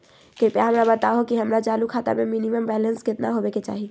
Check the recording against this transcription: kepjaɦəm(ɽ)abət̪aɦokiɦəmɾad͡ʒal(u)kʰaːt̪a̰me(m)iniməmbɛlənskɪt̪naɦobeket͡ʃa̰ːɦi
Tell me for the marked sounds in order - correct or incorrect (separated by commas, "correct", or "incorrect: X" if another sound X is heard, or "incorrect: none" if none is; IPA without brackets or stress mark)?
incorrect: ɾ, correct, correct